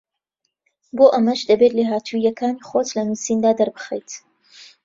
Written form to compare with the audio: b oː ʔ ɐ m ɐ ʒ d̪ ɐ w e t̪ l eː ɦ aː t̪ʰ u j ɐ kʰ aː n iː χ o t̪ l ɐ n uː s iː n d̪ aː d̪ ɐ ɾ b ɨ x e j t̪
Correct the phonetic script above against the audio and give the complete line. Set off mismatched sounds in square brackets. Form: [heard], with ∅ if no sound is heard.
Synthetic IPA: b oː ʔ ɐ m ɐ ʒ d̪ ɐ [b] e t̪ l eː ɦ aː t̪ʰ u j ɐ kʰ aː n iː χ o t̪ l ɐ n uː s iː n d̪ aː d̪ ɐ ɾ b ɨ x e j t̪